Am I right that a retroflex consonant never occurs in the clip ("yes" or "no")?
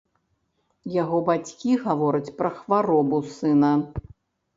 yes